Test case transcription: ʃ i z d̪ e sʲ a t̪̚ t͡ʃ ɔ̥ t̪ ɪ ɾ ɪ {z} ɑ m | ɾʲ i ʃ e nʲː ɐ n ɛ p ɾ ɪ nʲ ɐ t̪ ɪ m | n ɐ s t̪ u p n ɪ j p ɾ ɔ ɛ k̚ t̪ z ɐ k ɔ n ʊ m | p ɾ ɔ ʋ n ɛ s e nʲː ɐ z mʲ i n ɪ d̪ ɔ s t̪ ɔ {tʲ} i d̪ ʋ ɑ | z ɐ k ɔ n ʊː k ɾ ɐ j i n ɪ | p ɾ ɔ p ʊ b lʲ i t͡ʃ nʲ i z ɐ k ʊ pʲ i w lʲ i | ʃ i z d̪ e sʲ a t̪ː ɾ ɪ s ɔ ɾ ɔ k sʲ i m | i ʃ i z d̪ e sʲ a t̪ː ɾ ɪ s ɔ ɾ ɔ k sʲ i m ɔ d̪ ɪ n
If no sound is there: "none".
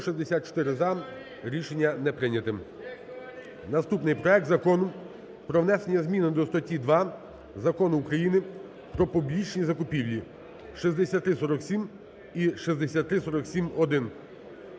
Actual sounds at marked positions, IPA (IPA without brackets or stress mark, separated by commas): z, tʲ